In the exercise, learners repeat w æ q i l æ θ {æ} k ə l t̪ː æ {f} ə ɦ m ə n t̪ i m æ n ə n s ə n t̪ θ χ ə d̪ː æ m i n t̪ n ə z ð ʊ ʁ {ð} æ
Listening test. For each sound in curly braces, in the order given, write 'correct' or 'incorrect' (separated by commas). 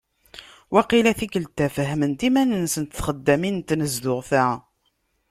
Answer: incorrect, correct, incorrect